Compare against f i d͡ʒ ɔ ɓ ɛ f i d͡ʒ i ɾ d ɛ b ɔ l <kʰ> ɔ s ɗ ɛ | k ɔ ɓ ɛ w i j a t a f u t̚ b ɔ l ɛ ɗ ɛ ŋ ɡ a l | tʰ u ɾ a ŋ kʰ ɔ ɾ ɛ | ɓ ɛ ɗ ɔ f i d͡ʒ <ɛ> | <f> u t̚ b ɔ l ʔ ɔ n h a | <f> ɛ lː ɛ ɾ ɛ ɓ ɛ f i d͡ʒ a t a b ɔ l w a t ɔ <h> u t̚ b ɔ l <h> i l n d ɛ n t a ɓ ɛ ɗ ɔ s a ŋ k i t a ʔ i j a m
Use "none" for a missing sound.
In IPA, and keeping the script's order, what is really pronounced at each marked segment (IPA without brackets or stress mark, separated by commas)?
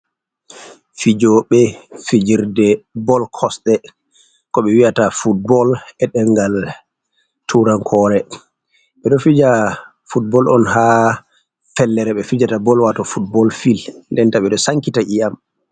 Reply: kʰ, a, f, f, f, f